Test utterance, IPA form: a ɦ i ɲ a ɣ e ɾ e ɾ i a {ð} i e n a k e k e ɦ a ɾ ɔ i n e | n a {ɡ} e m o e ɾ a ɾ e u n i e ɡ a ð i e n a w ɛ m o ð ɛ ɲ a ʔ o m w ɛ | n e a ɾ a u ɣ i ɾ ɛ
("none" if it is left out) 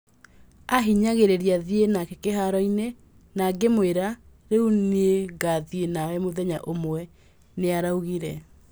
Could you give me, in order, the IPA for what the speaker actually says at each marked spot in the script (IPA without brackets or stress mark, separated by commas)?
ð, ɡ